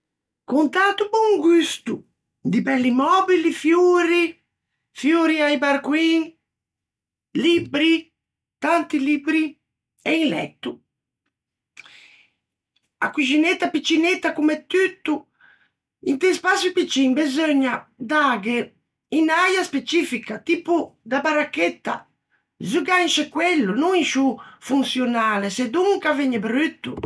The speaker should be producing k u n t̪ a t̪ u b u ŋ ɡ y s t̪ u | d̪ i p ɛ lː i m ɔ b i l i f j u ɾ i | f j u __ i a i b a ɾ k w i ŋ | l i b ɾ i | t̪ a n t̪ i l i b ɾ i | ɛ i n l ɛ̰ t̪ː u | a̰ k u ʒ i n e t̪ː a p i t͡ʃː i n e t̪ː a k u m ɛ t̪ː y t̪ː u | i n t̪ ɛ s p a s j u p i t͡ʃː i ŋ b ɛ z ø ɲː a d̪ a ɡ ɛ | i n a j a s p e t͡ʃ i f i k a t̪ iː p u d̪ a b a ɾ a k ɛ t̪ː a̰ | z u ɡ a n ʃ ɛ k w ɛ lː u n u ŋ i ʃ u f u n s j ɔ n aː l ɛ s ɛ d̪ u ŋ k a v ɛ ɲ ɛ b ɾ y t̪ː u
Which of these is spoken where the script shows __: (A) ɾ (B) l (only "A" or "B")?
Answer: A